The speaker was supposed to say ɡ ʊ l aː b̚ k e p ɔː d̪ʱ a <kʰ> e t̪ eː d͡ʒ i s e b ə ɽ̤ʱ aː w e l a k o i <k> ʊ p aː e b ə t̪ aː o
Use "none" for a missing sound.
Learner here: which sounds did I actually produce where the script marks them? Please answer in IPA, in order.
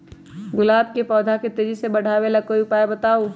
k, none

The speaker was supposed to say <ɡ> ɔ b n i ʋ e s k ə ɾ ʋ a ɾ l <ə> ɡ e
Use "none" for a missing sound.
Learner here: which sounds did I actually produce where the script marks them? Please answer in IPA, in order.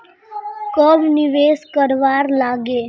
k, a

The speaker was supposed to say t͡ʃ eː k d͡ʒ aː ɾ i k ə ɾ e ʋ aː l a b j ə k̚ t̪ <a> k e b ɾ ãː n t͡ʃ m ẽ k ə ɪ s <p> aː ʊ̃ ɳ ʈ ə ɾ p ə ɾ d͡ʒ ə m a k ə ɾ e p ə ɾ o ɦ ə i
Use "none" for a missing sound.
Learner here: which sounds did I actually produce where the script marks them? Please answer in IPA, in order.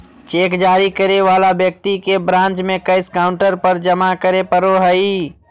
i, k

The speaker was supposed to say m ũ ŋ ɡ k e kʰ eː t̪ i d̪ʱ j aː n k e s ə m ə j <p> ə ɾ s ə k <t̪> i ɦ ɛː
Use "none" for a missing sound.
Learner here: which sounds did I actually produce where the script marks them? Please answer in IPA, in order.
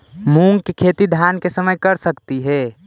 k, t̪

